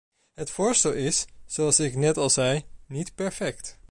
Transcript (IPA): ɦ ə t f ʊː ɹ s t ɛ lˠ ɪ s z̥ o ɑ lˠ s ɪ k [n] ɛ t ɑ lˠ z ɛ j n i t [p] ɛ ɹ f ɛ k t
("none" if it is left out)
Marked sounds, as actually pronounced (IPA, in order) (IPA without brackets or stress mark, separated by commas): n, p